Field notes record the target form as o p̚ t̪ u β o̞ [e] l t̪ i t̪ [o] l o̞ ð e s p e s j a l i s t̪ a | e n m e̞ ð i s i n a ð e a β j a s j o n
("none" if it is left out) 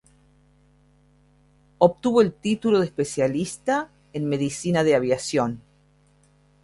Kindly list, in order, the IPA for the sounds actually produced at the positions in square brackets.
e, u

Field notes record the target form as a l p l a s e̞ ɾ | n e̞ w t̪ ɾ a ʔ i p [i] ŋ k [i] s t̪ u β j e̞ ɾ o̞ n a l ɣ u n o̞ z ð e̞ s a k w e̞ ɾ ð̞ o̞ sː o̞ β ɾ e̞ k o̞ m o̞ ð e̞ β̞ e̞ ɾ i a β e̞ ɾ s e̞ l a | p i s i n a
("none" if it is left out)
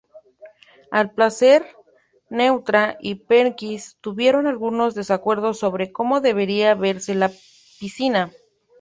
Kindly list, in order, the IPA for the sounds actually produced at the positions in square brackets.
e, i

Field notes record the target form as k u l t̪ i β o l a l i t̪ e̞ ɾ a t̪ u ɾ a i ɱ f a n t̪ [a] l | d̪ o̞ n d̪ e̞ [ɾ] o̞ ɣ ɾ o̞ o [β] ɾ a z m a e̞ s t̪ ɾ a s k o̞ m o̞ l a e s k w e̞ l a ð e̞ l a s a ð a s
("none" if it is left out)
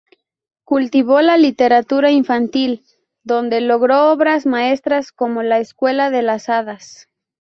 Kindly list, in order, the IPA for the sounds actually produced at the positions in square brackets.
i, l, β

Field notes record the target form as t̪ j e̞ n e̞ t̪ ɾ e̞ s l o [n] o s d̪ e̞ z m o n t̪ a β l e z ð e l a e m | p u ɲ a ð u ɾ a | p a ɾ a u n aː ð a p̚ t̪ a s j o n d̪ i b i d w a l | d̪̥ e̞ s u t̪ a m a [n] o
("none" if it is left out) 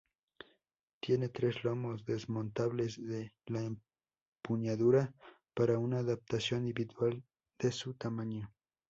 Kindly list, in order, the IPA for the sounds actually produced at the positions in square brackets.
m, ɲ

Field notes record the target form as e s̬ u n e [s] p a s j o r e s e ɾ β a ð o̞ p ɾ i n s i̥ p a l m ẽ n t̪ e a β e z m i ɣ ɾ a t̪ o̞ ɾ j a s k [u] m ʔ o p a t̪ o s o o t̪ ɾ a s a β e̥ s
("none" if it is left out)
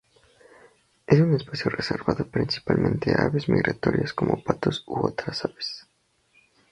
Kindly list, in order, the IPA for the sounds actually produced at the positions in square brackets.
s, o

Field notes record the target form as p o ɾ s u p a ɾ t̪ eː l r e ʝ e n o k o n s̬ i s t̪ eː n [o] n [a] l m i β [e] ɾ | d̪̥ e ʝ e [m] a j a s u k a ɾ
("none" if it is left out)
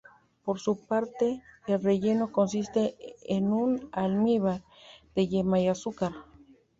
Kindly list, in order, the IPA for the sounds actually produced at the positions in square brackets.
u, a, a, m

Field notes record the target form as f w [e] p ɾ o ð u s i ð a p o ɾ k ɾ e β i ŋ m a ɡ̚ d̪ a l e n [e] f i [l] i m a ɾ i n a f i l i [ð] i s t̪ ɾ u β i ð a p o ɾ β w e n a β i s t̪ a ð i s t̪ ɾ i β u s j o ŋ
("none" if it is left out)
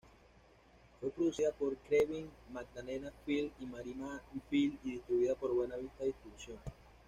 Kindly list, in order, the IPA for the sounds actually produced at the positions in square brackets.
e, a, l, ð

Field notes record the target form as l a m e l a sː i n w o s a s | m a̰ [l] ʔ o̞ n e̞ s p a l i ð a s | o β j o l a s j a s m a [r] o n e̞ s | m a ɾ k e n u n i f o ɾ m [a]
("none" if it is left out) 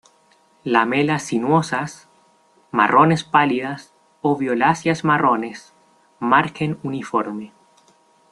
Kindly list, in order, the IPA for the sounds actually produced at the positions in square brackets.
r, r, e

